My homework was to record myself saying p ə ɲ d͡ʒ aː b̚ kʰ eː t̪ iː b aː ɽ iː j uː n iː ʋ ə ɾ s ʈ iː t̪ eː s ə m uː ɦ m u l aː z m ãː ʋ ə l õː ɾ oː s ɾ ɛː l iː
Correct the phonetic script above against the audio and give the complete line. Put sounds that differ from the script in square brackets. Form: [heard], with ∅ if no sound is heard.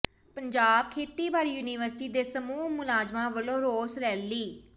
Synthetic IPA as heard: p ə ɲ d͡ʒ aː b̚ kʰ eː t̪ iː b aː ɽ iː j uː n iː ʋ ə ɾ s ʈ iː [d̪] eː s ə m uː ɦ m [ʊ] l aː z m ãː ʋ ə l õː ɾ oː s ɾ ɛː l iː